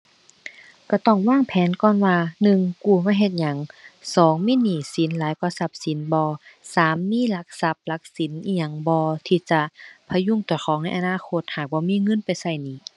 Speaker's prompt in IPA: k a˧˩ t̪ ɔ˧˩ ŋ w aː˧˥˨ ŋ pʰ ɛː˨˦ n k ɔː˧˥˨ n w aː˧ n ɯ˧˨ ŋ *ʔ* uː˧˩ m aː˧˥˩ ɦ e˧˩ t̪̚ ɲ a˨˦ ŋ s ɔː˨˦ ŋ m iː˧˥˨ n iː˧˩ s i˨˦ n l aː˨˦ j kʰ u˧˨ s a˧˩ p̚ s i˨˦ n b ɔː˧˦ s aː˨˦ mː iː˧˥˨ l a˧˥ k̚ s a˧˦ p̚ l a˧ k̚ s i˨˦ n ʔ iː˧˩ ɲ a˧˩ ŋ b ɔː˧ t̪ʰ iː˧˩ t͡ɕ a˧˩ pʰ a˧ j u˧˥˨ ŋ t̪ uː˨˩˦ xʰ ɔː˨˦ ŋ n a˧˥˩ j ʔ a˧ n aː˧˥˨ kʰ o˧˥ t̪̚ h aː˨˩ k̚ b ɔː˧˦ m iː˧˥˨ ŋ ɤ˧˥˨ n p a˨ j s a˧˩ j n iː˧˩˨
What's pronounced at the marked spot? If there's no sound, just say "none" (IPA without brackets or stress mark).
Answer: k